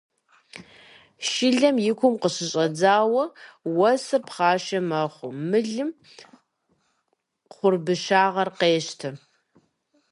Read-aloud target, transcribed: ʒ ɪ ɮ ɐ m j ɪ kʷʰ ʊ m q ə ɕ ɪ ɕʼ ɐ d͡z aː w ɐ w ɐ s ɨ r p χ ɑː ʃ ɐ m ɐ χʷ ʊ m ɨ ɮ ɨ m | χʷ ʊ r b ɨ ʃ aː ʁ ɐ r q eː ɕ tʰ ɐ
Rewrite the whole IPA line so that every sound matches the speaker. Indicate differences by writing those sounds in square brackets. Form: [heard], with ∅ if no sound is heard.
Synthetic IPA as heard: [ʃ] ɪ ɮ ɐ m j ɪ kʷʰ ʊ m q ə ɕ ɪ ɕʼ ɐ d͡z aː w ɐ w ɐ s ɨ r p χ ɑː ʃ ɐ m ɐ χʷ ʊ m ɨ ɮ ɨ m | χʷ ʊ r b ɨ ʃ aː ʁ ɐ r q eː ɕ tʰ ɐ